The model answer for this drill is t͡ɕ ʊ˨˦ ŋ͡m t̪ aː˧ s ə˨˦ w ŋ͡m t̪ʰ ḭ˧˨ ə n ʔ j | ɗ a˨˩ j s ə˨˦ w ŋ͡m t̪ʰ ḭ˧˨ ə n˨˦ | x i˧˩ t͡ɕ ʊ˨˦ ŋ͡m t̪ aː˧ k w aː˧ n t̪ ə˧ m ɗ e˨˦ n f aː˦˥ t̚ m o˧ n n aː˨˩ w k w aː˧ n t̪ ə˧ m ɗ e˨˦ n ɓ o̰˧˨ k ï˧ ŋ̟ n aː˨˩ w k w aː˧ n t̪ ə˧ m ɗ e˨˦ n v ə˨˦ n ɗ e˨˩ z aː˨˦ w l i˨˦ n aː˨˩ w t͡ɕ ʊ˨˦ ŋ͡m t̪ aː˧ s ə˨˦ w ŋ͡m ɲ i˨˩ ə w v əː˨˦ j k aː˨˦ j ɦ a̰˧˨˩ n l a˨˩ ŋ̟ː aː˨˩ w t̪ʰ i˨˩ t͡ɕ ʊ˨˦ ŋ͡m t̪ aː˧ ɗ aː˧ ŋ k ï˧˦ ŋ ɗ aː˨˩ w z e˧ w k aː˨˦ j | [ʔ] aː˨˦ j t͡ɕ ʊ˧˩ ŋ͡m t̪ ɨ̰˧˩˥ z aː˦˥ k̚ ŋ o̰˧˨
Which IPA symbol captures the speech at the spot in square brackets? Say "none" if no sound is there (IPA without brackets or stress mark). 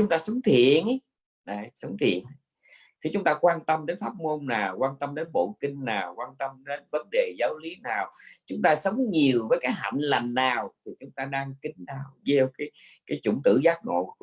k